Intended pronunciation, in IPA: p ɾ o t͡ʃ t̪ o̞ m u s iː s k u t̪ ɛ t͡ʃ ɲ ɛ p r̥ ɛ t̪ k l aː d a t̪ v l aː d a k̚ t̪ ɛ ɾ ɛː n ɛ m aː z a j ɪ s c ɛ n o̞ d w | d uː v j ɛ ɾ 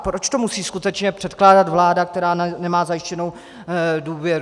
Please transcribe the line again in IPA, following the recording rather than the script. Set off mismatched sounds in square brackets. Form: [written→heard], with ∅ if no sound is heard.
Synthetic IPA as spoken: p ɾ o t͡ʃ t̪ o̞ m u s iː s k u t̪ ɛ t͡ʃ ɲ ɛ p r̥ ɛ t̪ k l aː d a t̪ v l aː d a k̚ t̪ ɛ ɾ [ɛː→aː] n ɛ m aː z a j ɪ [s→ʃ] c ɛ n o̞ [d→∅] w | d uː v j ɛ ɾ

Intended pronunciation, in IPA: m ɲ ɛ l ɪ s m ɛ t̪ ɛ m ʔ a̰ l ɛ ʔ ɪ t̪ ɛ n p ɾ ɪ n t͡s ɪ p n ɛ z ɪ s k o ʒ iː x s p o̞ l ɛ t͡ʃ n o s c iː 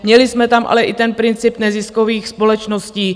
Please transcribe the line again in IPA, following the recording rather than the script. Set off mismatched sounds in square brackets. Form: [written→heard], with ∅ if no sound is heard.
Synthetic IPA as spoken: m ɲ ɛ l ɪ s m ɛ t̪ [ɛ→a] m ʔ a̰ l ɛ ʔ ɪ t̪ ɛ n p ɾ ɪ n t͡s ɪ p n ɛ z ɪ s k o [ʒ→v] iː x s p o̞ l ɛ t͡ʃ n o s c iː

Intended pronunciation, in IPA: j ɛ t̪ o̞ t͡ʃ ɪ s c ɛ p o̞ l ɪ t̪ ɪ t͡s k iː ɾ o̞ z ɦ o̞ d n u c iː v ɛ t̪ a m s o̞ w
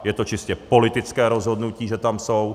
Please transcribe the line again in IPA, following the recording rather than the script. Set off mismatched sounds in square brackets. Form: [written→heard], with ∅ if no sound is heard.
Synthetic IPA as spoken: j ɛ t̪ o̞ t͡ʃ ɪ s c ɛ p o̞ l ɪ t̪ ɪ t͡s k [iː→ɛː] ɾ o̞ z ɦ o̞ d n u c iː [v→ʒ] ɛ t̪ a m s o̞ w

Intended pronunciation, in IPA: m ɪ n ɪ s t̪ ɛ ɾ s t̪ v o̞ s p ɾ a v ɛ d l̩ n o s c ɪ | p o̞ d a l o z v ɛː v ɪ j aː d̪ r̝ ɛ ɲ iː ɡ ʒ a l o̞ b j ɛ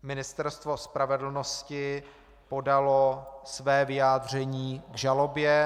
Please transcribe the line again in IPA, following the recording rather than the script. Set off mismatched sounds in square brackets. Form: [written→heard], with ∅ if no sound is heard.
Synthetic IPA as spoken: m ɪ n ɪ s t̪ ɛ ɾ s t̪ v o̞ s p ɾ a v ɛ d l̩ n o s c ɪ | p o̞ d a l o [z→s] v ɛː v ɪ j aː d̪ r̝ ɛ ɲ iː ɡ ʒ a l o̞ b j ɛ

